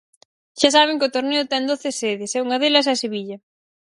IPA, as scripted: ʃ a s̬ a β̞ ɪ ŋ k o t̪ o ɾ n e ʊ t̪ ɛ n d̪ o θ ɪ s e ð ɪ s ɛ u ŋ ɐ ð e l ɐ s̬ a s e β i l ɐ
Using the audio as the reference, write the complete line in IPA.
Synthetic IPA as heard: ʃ a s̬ a β̞ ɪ ŋ k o t̪ o ɾ n e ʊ t̪ ɛ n d̪ o θ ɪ s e ð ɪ s ɛ u ŋ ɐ ð e l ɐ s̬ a s e β i ʎ ɐ